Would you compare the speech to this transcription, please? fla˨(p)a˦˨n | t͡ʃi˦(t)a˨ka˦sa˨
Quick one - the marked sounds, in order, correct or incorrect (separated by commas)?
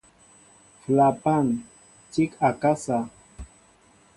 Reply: correct, incorrect